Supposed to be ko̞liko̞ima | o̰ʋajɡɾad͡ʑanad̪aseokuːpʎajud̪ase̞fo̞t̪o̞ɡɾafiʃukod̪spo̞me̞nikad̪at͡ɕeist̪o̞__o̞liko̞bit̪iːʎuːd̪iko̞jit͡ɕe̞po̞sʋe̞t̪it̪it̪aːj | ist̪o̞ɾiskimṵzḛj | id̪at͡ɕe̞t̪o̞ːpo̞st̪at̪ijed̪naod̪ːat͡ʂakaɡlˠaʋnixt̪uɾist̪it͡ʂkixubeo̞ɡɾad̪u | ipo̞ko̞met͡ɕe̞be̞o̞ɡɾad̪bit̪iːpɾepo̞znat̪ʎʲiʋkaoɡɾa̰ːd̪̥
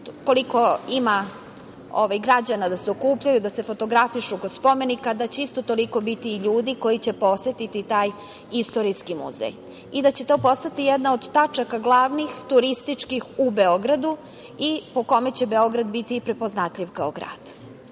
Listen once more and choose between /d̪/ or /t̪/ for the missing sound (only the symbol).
t̪